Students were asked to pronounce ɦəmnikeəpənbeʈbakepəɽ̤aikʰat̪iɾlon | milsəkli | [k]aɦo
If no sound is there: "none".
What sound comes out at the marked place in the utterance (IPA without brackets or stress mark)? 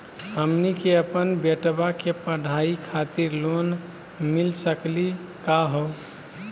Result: k